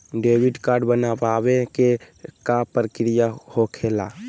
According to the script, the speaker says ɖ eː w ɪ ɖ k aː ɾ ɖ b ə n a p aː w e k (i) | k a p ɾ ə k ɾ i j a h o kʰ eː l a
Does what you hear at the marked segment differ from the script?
yes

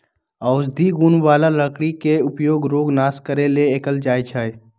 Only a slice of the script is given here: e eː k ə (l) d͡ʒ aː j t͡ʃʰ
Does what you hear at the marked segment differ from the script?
no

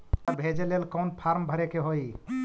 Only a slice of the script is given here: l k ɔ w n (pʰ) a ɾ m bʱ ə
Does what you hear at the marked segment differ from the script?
no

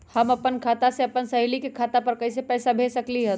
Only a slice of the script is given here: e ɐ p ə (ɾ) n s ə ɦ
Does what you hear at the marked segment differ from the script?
yes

